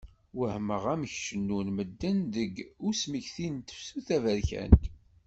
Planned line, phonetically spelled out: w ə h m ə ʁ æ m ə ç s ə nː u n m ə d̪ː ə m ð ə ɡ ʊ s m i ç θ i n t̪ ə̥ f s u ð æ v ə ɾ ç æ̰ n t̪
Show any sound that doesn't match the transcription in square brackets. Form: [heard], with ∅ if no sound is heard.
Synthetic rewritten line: w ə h m ə ʁ æ m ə ç [ʃ] ə nː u n m ə d̪ː ə [n] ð ə ɡ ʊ s m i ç θ i n t̪ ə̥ f s u [θ] æ v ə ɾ ç æ̰ n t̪